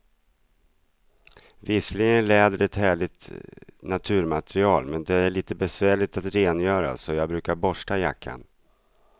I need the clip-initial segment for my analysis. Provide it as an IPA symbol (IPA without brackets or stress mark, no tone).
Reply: v